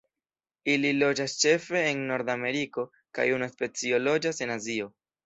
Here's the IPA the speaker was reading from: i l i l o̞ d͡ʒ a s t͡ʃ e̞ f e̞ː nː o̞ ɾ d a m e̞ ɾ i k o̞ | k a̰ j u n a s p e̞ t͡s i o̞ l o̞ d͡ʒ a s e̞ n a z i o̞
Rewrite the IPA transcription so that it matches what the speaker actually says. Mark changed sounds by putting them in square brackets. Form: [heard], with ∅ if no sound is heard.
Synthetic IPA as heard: i l i l o̞ d͡ʒ a s t͡ʃ e̞ f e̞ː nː o̞ ɾ d a m e̞ ɾ i k o̞ | k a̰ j u n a s p e̞ t͡s i o̞ l o̞ d͡ʒ a s e̞ n a z i o̞